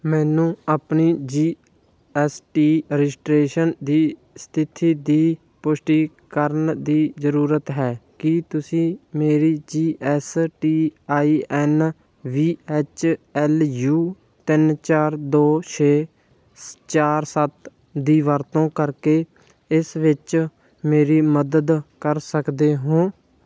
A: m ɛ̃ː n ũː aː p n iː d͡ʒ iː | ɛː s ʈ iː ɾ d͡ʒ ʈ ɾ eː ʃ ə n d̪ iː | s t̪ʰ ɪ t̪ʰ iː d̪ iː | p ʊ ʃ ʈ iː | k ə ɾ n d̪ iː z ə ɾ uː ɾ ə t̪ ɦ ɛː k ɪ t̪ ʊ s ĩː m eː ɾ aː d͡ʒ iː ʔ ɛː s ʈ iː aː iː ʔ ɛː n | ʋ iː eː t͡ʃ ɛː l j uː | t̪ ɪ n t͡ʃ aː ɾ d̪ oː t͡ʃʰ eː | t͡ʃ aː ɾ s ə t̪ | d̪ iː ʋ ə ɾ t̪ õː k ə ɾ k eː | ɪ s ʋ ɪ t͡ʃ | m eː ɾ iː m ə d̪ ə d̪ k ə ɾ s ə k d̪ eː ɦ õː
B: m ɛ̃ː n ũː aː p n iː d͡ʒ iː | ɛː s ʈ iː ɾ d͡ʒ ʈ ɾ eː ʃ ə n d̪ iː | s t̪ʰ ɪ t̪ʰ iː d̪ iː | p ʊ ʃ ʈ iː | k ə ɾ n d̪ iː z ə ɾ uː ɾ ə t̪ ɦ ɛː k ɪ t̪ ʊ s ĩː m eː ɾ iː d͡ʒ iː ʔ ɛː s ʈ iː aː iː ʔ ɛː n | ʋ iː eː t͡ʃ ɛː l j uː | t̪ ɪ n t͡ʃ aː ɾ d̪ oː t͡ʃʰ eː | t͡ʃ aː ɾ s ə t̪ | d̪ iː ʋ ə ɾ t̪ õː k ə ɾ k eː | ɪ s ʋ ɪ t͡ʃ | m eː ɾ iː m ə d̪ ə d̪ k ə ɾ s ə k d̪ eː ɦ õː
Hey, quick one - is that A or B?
B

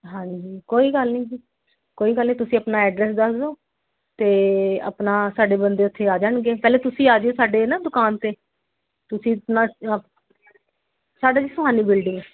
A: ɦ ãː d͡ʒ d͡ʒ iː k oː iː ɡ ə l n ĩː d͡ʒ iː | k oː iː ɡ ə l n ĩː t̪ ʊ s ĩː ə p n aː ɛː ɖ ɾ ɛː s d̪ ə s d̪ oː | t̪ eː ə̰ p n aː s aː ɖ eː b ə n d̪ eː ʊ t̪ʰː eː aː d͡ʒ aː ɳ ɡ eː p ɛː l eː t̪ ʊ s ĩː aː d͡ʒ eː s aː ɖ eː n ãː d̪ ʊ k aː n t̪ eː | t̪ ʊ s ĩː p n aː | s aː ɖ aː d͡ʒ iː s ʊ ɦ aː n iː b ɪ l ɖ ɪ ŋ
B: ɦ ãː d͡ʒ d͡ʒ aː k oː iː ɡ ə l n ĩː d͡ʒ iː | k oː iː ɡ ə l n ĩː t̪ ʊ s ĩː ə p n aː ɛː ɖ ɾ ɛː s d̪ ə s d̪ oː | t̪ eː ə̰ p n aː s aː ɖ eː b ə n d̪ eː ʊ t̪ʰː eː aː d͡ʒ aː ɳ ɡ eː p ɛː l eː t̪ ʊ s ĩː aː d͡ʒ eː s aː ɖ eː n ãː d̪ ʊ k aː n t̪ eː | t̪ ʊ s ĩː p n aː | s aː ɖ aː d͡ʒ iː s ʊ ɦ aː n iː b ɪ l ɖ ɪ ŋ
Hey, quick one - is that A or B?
A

